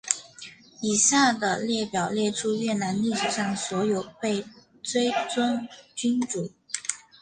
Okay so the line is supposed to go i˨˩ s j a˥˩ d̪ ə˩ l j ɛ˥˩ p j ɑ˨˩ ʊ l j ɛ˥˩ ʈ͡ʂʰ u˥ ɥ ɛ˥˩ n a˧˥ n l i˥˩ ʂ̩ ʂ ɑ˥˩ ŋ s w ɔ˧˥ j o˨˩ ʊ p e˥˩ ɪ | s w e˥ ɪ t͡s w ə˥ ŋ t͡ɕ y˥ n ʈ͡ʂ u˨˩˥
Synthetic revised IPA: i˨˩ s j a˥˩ d̪ ə˩ l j ɛ˥˩ p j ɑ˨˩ ʊ l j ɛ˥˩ ʈ͡ʂʰ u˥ ɥ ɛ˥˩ n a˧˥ n l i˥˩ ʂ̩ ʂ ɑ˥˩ ŋ s w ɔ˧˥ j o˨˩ ʊ p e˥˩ ɪ | t͡s w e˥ ɪ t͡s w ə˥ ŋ t͡ɕ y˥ n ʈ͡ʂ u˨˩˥